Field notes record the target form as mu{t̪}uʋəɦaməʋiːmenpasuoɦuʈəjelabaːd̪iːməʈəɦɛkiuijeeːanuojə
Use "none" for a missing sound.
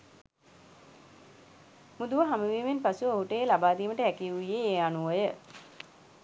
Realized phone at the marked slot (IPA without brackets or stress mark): d̪